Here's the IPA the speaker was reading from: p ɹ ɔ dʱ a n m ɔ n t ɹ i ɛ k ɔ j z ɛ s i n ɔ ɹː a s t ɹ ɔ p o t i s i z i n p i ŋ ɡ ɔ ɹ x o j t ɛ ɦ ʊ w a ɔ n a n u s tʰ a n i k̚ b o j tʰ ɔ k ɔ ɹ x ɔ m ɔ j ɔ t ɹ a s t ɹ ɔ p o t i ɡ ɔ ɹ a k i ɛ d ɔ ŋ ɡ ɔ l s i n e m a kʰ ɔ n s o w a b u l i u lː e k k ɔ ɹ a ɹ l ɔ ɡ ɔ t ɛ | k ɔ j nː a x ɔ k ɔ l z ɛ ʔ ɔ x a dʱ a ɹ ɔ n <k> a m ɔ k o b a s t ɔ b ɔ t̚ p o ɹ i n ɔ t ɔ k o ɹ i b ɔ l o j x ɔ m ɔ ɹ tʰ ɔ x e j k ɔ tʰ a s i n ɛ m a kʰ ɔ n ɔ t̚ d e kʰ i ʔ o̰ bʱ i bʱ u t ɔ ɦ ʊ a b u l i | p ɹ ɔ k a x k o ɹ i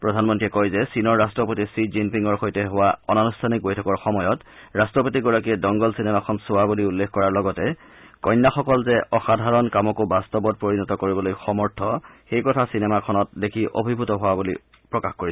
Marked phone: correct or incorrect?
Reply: correct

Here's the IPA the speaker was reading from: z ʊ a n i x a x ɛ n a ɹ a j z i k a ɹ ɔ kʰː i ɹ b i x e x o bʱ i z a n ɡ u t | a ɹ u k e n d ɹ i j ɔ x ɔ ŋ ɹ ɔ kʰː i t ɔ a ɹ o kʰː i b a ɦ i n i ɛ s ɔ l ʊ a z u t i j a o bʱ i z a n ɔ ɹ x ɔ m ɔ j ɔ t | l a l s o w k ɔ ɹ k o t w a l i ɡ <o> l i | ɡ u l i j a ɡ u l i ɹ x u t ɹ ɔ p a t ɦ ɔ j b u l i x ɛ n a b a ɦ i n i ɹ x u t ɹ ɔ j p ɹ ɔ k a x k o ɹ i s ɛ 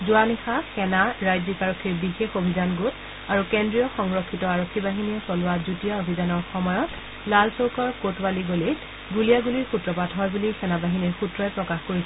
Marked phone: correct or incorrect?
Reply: correct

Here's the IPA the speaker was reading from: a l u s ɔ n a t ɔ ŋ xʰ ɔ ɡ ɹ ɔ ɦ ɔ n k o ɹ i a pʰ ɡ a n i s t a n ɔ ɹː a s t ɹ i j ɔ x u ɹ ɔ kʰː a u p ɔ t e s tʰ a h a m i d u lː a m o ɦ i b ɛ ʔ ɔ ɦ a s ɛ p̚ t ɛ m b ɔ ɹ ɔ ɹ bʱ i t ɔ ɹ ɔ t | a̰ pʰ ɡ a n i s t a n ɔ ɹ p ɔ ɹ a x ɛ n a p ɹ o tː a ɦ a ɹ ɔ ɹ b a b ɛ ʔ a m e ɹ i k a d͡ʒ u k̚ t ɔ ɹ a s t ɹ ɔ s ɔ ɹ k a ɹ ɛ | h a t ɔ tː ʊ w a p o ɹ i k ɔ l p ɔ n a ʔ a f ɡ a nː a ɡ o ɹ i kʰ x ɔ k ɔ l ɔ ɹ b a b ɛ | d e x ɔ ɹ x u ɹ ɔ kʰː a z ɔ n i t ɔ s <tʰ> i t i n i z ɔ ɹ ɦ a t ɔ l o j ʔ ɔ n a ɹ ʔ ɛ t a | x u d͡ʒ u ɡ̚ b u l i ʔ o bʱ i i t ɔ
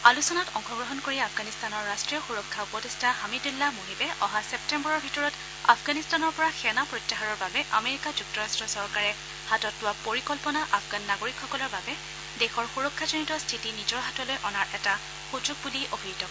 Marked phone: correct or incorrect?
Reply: correct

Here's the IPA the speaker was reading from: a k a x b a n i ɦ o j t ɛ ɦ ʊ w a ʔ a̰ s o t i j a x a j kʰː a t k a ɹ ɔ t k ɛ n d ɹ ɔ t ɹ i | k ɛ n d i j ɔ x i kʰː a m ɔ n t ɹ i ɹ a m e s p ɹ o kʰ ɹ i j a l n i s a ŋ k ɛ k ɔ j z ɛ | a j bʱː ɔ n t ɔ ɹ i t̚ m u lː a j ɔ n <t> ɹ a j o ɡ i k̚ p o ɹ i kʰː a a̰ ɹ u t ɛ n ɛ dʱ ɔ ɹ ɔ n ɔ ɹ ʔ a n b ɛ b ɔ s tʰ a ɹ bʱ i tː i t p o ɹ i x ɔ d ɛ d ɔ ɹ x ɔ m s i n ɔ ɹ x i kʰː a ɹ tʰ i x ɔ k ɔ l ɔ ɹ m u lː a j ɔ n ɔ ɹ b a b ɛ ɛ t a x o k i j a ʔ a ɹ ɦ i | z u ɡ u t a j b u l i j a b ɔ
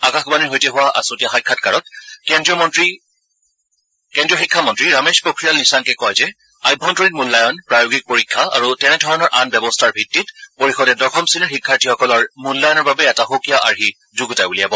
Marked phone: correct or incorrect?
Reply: incorrect: p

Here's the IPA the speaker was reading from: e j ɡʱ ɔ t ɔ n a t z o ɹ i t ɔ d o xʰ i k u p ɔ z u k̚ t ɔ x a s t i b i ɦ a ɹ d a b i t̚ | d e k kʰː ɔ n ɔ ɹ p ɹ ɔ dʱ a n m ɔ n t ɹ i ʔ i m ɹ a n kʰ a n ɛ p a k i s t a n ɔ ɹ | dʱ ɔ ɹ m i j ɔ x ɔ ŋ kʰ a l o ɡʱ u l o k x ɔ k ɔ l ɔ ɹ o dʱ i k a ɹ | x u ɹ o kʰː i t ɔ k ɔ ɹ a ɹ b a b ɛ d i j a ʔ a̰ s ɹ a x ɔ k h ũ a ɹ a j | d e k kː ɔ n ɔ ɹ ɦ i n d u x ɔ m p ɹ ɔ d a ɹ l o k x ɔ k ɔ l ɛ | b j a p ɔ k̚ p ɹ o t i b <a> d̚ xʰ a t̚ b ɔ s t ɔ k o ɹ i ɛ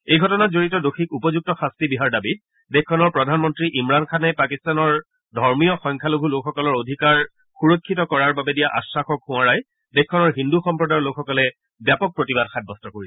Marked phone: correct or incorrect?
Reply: correct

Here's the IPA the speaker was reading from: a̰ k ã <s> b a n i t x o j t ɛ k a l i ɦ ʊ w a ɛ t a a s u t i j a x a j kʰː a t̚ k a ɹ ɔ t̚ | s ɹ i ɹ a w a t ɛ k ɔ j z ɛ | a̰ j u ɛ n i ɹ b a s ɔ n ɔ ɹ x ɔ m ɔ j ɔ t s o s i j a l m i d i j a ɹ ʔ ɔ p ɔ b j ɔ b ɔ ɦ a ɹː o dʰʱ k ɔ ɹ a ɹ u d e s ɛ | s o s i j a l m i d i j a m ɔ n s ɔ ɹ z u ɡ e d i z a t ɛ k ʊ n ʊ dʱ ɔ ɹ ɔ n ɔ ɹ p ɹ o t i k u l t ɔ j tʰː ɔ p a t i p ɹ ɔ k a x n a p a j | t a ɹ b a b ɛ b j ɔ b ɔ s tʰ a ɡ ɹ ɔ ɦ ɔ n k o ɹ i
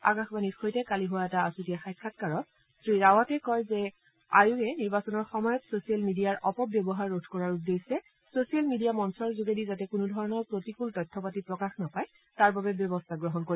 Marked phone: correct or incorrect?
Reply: incorrect: x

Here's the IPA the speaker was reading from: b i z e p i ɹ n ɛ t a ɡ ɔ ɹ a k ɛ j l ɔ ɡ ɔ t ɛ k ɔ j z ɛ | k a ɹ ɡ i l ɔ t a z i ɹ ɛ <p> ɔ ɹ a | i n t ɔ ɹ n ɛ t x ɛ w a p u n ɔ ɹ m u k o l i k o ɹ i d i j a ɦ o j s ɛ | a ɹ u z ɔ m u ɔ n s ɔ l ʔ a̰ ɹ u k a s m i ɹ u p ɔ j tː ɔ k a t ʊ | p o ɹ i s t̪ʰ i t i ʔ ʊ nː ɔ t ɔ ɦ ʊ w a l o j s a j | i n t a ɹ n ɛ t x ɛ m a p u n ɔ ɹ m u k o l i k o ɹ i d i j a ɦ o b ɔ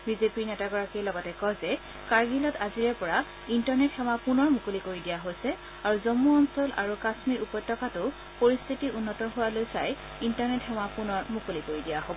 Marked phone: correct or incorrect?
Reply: correct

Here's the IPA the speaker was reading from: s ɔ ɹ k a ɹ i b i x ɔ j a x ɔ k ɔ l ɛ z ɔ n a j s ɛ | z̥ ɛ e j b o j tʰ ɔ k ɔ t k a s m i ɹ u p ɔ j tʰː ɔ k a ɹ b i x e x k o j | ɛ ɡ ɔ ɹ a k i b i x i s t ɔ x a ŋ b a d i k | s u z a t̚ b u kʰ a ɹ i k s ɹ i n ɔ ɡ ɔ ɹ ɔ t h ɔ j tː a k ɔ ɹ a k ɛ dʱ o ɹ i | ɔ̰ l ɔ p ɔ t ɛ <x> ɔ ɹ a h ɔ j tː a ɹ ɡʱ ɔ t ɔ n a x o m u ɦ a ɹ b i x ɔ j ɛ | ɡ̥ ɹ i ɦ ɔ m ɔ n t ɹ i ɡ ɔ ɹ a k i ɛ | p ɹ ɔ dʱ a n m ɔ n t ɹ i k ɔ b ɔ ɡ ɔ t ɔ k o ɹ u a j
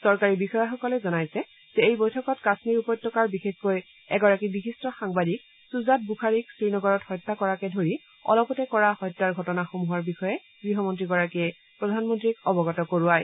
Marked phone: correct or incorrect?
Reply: incorrect: k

